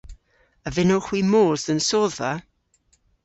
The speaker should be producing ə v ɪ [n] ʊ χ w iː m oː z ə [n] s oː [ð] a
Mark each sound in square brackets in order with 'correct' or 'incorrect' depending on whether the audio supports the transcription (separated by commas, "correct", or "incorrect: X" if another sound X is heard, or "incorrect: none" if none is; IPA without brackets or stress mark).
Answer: correct, correct, correct